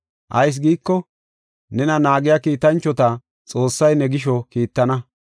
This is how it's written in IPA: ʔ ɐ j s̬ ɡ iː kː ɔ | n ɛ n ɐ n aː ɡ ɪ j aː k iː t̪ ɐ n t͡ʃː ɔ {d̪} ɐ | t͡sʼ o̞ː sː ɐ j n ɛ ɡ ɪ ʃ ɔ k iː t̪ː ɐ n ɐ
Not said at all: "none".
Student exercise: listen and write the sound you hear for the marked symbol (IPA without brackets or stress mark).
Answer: t̪